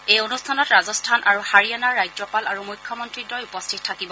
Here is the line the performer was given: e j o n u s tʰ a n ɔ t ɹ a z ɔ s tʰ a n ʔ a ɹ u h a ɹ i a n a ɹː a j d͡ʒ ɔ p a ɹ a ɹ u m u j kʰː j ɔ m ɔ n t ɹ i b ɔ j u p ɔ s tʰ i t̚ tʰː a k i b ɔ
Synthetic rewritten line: e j o n u s tʰ a n ɔ t ɹ a z ɔ s tʰ a n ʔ a ɹ u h a ɹ i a n a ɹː a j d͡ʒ ɔ p a l a ɹ u m u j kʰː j ɔ m ɔ n t ɹ i d ɔ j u p ɔ s tʰ i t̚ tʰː a k i b ɔ

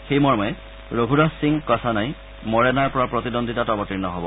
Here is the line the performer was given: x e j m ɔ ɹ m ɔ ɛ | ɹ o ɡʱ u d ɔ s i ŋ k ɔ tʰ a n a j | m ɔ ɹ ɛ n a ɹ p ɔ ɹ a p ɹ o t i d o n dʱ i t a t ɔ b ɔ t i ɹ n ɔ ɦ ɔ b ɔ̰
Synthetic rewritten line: x e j m ɔ ɹ m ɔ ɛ | ɹ o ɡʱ u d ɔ s i ŋ k ɔ tʰ a n a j | m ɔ ɹ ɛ n a ɹ p ɔ ɹ a p ɹ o t i d o n dʱ i t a t ɔ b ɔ t i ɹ n ɔ ɦ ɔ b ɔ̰

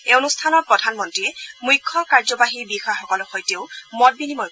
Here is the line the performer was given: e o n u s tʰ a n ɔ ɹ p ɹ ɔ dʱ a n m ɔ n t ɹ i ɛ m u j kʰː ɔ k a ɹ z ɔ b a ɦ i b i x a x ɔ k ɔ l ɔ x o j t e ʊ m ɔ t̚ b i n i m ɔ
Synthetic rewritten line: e o n u s tʰ a n ɔ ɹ p ɹ ɔ dʱ a n m ɔ n t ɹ i ɛ m u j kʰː ɔ k a ɹ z ɔ b a ɦ i b i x a x ɔ k ɔ l ɔ x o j t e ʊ m ɔ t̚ b i n i m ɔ

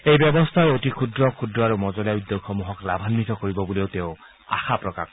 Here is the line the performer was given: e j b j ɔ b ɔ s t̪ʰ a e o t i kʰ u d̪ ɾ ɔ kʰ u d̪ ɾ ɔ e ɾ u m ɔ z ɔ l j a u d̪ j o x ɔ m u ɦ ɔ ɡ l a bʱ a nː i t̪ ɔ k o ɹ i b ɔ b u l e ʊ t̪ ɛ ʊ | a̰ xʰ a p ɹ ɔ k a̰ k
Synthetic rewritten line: e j b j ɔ b ɔ s t̪ʰ a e o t i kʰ u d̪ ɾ ɔ kʰ u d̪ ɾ ɔ a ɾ u m ɔ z ɔ l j a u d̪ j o x ɔ m u ɦ ɔ k l a bʱ a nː i t̪ ɔ k o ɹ i b ɔ b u l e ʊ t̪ e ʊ | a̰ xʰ a p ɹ ɔ k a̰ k

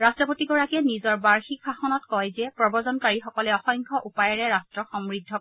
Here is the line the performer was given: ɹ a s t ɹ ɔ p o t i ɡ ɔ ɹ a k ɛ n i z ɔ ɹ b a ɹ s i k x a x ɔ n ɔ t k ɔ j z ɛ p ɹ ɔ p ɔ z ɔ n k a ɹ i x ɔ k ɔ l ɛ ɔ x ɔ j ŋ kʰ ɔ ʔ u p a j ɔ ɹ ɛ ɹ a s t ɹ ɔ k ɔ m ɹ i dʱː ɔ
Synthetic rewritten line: ɹ a s t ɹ ɔ p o t i ɡ ɔ ɹ a k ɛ n i z ɔ ɹ b a ɹ x i k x a x ɔ n ɔ t k ɔ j z ɛ p ɹ ɔ b ɔ z ɔ n k a ɹ i x ɔ k ɔ l ɛ ɔ x ɔ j ŋ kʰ ɔ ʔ u p a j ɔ ɹ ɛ ɹ a s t ɹ ɔ x ɔ m ɹ i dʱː ɔ

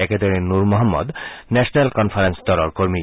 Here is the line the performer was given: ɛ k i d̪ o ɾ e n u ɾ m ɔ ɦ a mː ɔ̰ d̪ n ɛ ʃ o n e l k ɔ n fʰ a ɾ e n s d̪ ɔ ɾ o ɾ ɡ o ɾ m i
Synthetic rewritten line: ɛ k e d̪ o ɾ e n u ɾ m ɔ ɦ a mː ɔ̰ d̪ n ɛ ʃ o n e l k ɔ n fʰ a ɾ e n s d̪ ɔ ɾ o ɾ k o ɾ m i

